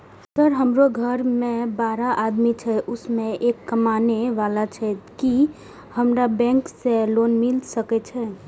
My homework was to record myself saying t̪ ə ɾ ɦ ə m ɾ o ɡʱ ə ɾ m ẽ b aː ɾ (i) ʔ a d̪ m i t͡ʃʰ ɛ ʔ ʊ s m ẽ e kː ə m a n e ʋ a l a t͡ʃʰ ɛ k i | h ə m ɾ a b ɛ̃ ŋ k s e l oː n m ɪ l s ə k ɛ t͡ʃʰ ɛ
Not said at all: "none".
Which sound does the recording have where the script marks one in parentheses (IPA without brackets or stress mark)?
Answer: a